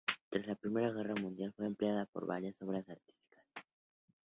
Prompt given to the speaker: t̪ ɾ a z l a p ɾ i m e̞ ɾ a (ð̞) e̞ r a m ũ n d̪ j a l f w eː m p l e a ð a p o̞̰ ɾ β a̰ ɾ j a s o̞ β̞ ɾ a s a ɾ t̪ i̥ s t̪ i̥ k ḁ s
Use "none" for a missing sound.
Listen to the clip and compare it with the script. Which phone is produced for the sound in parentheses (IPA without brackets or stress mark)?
ɣ̞